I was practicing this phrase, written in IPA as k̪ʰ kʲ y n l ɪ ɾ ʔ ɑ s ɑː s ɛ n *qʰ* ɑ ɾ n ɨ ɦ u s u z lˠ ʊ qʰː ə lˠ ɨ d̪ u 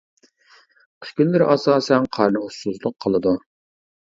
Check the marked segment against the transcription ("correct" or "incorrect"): correct